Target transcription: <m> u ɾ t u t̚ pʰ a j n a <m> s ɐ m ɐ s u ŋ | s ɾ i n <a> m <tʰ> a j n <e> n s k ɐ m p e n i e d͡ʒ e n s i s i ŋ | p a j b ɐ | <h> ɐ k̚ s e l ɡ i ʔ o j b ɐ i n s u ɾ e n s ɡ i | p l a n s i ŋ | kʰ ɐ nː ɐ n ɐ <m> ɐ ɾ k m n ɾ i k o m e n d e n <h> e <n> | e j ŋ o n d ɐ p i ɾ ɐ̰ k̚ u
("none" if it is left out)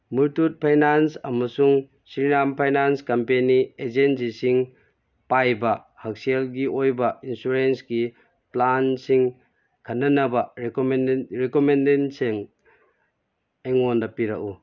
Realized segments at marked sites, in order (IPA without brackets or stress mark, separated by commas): m, n, a, pʰ, a, h, b, s, ŋ